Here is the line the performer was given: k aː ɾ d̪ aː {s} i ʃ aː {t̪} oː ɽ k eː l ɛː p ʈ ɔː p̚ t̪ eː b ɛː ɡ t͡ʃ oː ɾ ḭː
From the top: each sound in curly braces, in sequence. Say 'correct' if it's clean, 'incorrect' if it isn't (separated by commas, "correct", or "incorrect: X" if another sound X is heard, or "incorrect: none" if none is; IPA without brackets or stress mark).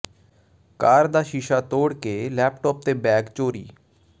incorrect: ʃ, correct